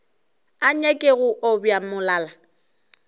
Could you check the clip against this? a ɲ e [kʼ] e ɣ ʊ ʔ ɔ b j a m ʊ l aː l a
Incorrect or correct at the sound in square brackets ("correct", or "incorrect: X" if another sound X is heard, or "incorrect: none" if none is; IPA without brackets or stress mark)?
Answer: correct